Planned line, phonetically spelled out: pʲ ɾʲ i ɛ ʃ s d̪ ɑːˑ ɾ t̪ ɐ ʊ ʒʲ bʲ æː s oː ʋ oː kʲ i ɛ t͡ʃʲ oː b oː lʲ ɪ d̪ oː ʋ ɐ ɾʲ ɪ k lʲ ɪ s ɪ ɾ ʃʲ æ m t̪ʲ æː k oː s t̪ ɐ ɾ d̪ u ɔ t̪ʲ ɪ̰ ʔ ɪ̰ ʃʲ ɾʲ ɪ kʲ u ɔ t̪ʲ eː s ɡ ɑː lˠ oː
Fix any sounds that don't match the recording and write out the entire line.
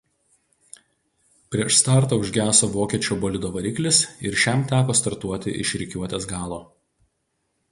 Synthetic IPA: pʲ ɾʲ i ɛ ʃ s t̪ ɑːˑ ɾ t̪ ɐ ʊ ʒʲ ɡʲ æː s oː ʋ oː kʲ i ɛ t͡ʃʲ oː b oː lʲ ɪ d̪ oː ʋ ɐ ɾʲ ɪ k lʲ ɪ s ɪ ɾ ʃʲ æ m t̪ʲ æː k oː s t̪ ɐ ɾ t̪ u ɔ t̪ʲ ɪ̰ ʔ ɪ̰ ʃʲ ɾʲ ɪ kʲ u ɔ t̪ʲ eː s ɡ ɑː lˠ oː